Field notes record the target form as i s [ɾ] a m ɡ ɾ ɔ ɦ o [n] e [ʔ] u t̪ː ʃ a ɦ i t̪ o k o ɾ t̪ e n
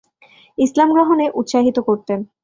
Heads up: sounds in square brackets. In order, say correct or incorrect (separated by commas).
incorrect, correct, correct